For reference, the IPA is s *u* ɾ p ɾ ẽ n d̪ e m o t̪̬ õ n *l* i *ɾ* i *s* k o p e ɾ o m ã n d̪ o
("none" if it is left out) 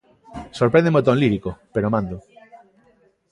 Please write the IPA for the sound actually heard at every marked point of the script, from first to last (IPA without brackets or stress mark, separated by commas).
o, l, ɾ, none